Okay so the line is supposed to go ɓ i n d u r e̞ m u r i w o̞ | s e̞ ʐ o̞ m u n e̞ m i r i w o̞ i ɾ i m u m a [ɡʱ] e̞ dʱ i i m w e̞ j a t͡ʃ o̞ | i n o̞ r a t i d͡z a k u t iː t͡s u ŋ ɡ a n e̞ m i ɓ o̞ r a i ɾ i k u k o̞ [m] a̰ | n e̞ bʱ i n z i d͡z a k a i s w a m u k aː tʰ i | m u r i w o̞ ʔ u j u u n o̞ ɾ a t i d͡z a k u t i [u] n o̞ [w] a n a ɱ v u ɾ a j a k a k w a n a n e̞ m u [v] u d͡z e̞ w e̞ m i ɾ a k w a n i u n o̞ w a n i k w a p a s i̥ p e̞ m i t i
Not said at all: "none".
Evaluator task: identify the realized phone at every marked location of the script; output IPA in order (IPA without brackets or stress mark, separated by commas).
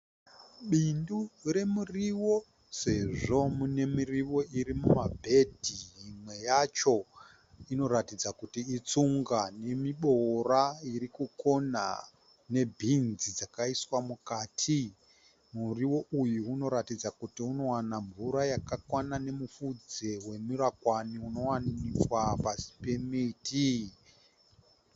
bʱ, n, u, w, f